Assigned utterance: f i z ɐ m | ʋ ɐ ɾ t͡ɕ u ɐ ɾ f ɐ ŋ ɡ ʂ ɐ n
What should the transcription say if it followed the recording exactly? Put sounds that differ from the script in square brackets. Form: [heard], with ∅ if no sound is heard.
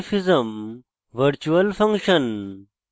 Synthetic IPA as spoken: f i z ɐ m | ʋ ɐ ɾ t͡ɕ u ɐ [l] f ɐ ŋ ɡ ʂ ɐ n